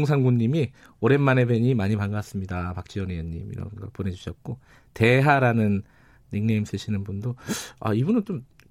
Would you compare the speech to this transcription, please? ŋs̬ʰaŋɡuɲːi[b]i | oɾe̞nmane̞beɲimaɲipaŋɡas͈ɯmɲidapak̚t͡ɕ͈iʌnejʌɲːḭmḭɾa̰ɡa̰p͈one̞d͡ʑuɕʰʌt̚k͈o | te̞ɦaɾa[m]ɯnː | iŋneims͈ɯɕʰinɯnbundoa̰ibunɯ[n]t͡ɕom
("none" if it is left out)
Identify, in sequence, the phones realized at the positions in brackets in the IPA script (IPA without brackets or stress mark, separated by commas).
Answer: m, n, n